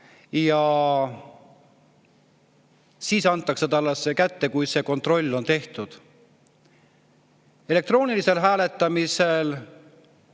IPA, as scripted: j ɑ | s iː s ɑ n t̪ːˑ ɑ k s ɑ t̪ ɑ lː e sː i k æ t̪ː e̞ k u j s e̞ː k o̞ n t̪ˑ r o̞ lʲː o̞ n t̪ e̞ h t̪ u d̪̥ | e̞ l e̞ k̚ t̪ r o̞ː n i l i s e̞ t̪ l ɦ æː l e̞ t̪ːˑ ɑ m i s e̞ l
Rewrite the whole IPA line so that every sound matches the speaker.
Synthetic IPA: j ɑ | s iː s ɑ n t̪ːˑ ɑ k s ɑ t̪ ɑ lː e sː e k æ t̪ː e̞ k u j s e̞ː k o̞ n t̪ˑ r o̞ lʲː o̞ n t̪ e̞ h t̪ u d̪̥ | e̞ l e̞ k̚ t̪ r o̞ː n i l i s e̞ l ɦ æː l e̞ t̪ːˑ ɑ m i s e̞ l